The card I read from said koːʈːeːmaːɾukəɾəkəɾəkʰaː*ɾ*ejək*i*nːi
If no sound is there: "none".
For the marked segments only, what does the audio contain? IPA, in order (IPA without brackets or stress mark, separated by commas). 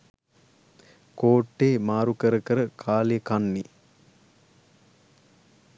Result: l, a